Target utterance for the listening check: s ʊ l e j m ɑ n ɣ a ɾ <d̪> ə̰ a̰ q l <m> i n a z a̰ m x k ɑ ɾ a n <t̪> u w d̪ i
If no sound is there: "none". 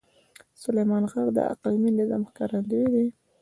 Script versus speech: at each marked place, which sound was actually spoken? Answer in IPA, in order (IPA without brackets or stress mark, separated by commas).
d̪, m, d̪